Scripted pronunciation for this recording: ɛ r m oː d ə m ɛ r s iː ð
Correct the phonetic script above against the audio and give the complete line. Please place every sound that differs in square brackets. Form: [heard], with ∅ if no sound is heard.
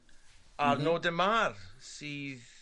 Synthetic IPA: [a] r [n] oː d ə m [a] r s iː ð